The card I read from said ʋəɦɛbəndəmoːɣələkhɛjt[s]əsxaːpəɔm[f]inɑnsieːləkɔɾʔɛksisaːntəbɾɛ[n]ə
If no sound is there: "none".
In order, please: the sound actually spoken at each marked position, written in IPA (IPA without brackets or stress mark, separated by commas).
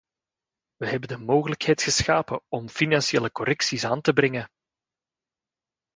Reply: x, f, ŋ